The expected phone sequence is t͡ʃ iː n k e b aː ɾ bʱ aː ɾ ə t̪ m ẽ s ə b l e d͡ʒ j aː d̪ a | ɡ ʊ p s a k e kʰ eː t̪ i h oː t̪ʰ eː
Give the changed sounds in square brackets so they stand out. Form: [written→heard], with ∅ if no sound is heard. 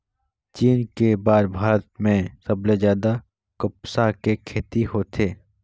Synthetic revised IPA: t͡ʃ iː n k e b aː ɾ bʱ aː ɾ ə t̪ m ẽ s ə b l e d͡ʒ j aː d̪ a | [ɡ→k] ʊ p s a k e kʰ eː t̪ i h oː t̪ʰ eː